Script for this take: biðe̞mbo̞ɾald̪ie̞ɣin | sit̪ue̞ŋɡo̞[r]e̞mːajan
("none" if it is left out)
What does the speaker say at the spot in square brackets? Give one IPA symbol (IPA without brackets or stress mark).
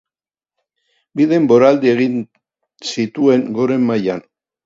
ɾ